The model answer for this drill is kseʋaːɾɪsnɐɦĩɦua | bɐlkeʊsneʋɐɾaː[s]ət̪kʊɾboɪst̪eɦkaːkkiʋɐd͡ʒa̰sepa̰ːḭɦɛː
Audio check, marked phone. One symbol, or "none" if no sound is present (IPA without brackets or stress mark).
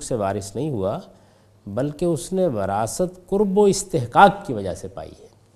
s